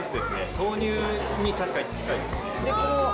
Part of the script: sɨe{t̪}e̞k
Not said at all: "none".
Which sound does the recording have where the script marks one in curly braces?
d̪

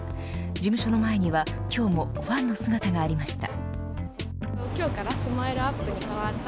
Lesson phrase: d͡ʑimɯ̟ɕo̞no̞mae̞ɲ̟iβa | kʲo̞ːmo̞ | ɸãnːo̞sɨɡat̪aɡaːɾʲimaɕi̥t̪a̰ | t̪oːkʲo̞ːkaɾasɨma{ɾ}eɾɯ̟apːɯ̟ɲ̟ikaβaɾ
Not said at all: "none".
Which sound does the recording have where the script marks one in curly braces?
none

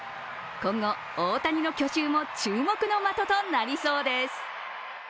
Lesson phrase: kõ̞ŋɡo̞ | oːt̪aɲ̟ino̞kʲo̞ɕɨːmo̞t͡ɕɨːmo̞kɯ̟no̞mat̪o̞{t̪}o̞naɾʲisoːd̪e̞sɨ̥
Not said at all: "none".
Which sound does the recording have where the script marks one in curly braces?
t̪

